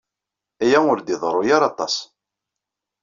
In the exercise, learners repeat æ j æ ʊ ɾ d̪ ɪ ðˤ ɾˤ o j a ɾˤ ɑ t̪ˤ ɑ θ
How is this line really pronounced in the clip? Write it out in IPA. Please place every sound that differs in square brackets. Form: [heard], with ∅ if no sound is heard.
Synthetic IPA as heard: æ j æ ʊ ɾ d̪ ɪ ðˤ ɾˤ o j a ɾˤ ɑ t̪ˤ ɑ [s]